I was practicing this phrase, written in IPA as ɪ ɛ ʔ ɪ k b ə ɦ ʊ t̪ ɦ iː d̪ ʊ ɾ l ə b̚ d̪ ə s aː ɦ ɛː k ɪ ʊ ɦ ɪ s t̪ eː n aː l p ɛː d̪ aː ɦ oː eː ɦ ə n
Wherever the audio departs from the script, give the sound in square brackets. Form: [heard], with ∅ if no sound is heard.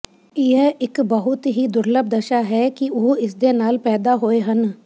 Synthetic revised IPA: ɪ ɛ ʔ ɪ k b ə ɦ ʊ t̪ ɦ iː d̪ ʊ ɾ l ə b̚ d̪ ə [ʃ] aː ɦ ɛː k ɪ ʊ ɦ ɪ s [d̪] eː n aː l p ɛː d̪ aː ɦ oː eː ɦ ə n